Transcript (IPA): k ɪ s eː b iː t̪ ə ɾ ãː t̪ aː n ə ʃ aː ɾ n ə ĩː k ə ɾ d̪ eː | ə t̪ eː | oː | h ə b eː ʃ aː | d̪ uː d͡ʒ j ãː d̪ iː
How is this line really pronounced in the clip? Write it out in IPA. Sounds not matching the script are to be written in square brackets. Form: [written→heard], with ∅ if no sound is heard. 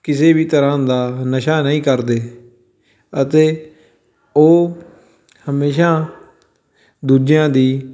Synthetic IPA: k ɪ s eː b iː t̪ ə ɾ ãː [t̪→d̪] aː n ə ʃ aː [ɾ→∅] n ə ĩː k ə ɾ d̪ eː | ə t̪ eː | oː | h ə [b→m] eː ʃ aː | d̪ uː d͡ʒ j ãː d̪ iː